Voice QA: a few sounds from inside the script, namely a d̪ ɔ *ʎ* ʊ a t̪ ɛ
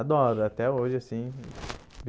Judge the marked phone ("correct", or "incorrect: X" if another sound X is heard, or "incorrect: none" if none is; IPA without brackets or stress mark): incorrect: ɾ